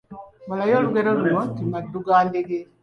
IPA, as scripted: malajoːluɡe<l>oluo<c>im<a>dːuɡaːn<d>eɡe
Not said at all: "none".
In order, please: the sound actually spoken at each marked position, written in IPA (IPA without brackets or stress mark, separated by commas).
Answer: ɾ, t, a, d